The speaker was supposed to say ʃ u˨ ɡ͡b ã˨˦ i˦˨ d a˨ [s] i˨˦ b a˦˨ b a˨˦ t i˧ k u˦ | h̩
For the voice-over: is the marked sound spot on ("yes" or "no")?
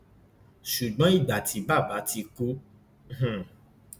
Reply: no